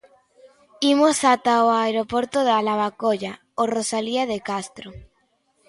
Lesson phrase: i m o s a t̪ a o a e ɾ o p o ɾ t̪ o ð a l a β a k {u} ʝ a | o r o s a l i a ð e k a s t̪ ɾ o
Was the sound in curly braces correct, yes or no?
no